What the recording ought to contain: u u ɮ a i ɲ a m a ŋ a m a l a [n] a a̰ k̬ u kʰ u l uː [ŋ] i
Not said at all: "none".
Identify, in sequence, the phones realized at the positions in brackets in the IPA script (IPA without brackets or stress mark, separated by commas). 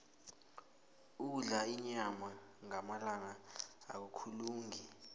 ŋ, ŋ